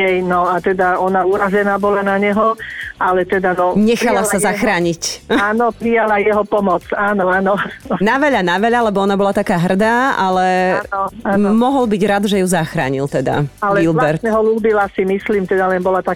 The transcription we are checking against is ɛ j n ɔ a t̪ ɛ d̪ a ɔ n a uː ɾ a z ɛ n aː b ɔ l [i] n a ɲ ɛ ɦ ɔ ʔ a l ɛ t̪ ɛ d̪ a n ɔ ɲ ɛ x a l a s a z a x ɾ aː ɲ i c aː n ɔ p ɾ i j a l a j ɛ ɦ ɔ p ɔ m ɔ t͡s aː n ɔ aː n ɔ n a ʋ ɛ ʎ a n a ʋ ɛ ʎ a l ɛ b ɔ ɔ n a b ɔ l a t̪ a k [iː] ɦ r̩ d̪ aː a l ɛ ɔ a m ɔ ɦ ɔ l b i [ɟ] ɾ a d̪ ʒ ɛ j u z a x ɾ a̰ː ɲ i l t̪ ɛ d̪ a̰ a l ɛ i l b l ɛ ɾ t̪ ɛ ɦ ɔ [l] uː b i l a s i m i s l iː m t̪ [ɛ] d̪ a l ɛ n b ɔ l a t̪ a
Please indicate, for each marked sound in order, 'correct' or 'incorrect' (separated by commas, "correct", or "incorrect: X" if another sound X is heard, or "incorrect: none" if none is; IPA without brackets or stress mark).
incorrect: a, incorrect: aː, correct, correct, correct